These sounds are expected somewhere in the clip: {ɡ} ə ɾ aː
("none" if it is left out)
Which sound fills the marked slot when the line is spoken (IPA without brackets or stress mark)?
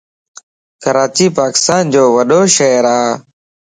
k